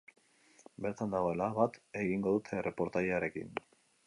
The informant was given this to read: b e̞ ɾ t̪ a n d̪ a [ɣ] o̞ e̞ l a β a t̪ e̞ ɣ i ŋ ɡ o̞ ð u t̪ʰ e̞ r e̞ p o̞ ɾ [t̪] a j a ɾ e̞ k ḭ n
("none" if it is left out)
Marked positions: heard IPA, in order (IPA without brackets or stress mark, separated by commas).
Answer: ɣ, t̪